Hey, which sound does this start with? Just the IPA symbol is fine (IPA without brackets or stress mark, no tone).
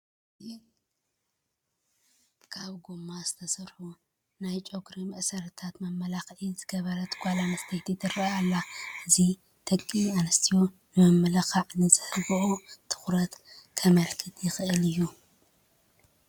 kʰ